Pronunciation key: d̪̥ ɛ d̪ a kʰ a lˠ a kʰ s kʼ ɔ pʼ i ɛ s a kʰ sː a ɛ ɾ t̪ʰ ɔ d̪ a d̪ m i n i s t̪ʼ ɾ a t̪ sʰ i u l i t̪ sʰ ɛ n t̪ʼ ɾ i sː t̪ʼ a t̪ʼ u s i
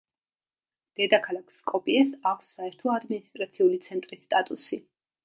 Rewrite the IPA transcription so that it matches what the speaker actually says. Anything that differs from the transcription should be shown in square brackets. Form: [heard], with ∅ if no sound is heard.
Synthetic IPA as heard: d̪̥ ɛ d̪ a kʰ a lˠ a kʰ s kʼ ɔ pʼ i ɛ s a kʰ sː a ɛ ɾ t̪ʰ ɔ [∅] a d̪ m i n i s t̪ʼ ɾ a t̪ sʰ i u l i t̪ sʰ ɛ n t̪ʼ ɾ i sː t̪ʼ a t̪ʼ u s i